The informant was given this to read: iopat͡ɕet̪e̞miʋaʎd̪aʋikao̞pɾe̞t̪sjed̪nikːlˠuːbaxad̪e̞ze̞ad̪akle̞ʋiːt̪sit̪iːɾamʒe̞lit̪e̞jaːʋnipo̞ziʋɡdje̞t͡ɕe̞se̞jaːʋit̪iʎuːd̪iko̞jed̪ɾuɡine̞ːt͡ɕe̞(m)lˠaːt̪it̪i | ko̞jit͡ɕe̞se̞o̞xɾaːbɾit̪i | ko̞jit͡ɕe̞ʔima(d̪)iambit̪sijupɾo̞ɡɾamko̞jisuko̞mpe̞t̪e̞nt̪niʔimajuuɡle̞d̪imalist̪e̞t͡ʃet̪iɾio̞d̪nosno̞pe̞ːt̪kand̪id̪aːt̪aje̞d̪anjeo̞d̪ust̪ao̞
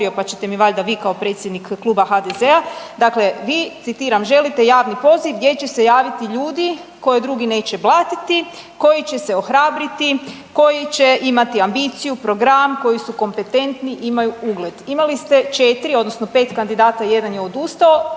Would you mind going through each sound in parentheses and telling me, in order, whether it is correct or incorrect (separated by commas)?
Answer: incorrect, incorrect